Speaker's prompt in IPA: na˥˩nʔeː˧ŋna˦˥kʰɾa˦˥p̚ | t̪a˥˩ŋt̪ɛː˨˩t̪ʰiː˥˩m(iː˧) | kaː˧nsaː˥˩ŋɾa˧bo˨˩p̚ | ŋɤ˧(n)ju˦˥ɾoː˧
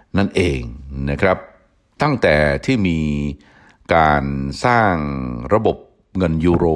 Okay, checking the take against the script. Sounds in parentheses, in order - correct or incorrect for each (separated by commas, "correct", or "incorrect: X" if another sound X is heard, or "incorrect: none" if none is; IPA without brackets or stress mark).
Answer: correct, correct